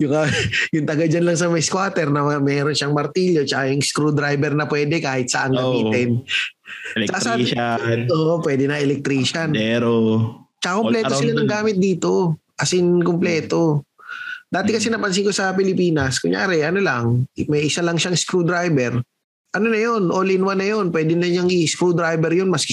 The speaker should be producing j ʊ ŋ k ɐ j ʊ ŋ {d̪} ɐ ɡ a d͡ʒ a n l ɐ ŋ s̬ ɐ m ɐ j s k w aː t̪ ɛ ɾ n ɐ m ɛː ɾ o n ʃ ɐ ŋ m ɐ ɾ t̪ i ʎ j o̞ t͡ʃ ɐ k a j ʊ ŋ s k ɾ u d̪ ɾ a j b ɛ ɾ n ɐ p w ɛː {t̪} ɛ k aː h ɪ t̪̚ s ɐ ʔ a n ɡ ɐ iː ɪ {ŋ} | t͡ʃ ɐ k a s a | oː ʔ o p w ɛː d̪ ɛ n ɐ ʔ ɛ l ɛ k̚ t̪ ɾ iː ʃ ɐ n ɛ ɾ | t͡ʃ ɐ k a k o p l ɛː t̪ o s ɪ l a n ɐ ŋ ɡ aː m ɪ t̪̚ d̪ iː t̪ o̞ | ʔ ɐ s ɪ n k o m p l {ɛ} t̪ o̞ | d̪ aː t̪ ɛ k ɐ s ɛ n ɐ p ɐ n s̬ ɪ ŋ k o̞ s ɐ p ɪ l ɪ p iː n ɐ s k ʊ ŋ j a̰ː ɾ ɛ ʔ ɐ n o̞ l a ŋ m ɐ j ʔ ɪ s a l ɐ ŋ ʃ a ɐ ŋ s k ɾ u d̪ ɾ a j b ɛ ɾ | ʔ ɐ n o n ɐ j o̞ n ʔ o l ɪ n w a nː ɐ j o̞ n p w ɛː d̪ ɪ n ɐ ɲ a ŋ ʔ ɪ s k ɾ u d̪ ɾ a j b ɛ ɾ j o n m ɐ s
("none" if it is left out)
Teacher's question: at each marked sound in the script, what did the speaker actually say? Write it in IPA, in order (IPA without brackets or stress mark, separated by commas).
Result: t̪, d̪, n, ɛː